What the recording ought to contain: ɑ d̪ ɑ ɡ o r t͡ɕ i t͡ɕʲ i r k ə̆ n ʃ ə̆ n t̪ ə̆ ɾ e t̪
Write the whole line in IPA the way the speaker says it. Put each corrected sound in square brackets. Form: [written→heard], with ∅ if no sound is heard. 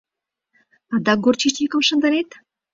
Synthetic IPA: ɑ d̪ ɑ ɡ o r t͡ɕ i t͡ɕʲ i [r→∅] k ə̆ [n→m] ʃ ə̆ n [t̪→d̪] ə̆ ɾ e t̪

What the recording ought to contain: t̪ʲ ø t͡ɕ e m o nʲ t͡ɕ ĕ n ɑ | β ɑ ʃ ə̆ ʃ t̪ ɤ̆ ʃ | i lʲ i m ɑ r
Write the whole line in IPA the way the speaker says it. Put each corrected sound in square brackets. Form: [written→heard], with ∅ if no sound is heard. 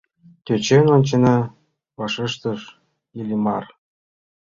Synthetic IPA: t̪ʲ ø t͡ɕ e [m→n] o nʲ t͡ɕ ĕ n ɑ | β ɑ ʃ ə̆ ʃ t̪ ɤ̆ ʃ | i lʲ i m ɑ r

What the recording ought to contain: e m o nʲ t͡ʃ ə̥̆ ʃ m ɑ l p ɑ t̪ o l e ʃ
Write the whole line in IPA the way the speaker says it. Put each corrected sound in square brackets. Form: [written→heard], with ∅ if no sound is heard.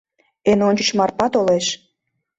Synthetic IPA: e [m→n] o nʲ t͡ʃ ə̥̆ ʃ m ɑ [l→r] p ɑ t̪ o l e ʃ

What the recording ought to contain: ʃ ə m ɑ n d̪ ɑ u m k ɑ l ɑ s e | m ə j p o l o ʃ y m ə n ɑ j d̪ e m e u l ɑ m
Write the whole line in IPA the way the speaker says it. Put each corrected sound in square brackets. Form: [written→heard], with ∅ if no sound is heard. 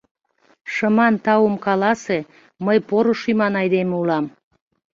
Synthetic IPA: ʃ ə m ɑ n [d̪→t̪] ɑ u m k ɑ l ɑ s e | m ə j p o [l→ɾ] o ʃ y m [ə→ɑ] n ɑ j d̪ e m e u l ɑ m

